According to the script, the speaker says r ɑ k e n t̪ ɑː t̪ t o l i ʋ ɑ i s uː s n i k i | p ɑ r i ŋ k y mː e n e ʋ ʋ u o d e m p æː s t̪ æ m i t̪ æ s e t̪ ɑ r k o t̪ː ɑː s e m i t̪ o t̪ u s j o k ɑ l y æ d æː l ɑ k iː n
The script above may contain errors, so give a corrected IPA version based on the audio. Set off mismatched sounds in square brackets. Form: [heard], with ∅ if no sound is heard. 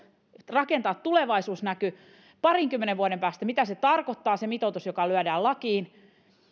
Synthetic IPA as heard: r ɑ k e n t̪ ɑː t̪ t [u] l [e] ʋ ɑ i s uː s n [æ] k [y] | p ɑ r i ŋ k y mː e n e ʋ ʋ u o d e m p æː s t̪ æ m i t̪ æ s e t̪ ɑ r k o t̪ː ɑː s e m i t̪ o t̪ u s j o k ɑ l y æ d æː l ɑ k iː n

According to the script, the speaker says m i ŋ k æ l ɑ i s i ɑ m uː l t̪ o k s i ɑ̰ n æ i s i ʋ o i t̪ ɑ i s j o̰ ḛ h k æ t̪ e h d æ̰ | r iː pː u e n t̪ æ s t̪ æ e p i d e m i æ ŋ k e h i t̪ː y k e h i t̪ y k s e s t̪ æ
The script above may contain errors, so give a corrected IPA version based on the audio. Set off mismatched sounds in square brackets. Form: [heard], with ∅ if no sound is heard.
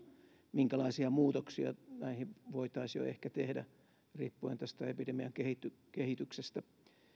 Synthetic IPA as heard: m i ŋ k æ l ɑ i s i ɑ m uː [∅] t̪ o k s i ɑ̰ n æ i [h] i ʋ o i t̪ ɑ i s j o̰ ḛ h k æ t̪ e h d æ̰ | r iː pː u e n t̪ æ s t̪ æ e p i d e m i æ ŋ k e h i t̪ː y k e h i t̪ y k s e s t̪ æ

